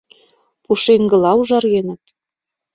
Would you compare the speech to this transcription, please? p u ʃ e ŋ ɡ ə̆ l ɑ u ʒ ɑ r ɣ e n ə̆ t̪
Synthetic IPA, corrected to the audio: p u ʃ e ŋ ɡ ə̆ l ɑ u ʒ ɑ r ɣ e n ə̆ t̪

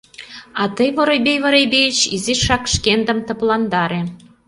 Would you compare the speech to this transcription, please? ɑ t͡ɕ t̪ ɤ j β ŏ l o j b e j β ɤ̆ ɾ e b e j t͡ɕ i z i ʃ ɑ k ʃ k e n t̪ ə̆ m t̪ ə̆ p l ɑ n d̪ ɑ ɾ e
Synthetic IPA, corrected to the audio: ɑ t̪ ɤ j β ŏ ɾ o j b e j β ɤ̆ ɾ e b e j t͡ɕ i z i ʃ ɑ k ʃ k e n d̪ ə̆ m t̪ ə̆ p l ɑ n d̪ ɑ ɾ e

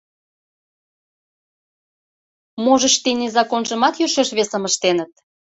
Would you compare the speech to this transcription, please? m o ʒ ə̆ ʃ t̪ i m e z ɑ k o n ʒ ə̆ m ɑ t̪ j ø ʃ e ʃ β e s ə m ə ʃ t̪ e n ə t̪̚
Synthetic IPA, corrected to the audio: m o ʒ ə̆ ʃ t̪ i n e z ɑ k o n ʒ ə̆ m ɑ t̪ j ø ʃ e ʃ β e s ə m ə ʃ t̪ e n ə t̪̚

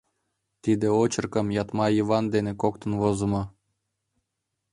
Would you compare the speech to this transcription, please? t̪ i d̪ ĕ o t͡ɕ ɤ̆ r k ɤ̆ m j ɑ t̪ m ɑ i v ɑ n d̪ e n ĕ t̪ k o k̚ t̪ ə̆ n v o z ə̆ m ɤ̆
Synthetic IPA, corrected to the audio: t̪ i d̪ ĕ o t͡ɕ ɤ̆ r k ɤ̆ m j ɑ t̪ m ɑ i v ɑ n d̪ e n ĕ k o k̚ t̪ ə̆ n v o z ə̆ m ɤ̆

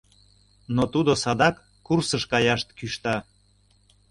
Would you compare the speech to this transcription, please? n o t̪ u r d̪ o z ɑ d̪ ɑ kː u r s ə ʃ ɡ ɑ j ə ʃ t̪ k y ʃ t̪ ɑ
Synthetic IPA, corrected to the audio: n o t̪ u d̪ o s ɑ d̪ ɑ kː u r s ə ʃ k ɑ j ɑ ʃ t̪ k y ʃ t̪ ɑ

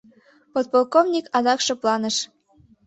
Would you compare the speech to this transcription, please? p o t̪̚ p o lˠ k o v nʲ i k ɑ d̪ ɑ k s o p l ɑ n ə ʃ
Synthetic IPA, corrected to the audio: p o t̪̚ p o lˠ k o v nʲ i k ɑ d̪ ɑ k ʃ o p l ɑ n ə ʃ

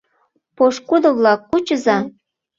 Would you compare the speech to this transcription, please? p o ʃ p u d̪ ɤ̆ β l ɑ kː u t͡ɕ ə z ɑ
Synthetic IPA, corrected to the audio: p o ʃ k u d̪ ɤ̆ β l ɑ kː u t͡ɕ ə z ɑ

